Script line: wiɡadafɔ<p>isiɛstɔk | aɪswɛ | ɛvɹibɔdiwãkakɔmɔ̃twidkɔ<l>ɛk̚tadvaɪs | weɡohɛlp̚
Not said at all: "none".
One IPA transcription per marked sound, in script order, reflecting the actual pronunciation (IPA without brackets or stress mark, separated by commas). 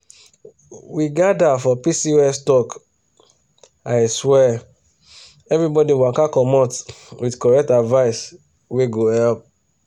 p, ɹ